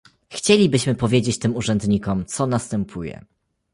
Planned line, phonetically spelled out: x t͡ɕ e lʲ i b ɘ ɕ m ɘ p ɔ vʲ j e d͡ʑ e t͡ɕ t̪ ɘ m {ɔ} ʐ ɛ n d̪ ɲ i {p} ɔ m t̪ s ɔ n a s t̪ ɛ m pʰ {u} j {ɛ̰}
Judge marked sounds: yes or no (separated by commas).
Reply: no, no, yes, yes